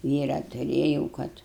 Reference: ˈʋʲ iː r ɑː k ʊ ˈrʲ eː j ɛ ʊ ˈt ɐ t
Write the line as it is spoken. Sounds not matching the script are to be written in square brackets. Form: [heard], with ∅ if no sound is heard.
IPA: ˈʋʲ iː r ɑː [t] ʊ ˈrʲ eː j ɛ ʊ [ˈk] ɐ t